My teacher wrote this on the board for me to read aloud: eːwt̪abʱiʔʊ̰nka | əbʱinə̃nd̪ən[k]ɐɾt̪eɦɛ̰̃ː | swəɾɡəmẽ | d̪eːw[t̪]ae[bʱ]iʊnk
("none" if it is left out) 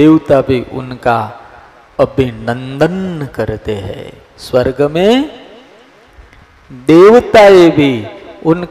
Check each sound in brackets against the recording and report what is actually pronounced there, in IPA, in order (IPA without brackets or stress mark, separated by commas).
k, t̪, bʱ